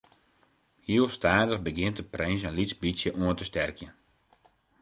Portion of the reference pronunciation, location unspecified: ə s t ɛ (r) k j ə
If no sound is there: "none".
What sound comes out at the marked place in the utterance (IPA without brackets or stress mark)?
r